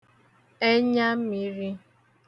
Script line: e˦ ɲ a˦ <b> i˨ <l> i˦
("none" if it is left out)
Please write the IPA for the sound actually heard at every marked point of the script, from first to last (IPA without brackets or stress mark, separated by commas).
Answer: m, ɾ